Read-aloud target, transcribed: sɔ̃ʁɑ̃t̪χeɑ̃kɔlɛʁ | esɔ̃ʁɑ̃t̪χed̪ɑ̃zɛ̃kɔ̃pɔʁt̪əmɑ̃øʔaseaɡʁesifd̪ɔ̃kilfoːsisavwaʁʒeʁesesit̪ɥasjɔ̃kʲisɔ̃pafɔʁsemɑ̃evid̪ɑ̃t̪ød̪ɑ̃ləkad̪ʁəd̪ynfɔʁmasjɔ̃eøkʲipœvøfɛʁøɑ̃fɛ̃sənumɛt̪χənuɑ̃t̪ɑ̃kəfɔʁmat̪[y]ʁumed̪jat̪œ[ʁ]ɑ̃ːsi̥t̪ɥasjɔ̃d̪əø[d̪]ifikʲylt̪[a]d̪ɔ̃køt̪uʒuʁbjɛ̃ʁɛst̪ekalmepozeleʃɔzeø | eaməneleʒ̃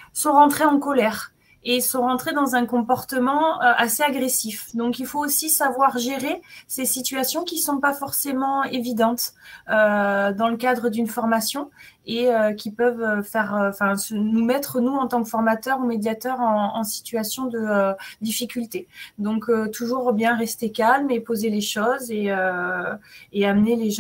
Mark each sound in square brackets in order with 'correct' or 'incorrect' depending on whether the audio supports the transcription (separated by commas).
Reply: incorrect, correct, correct, incorrect